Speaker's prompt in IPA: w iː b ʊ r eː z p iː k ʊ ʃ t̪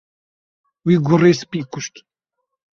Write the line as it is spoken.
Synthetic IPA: w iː ɡ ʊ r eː s p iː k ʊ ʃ t̪